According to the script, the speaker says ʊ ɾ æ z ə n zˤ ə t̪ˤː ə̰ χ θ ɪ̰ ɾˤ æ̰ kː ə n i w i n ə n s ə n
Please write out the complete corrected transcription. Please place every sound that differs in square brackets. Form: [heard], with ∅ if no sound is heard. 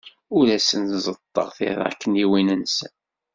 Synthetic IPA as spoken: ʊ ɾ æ [s] ə n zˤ ə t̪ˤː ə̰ [ʁ] θ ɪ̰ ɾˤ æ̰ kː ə n i w i n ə n s ə n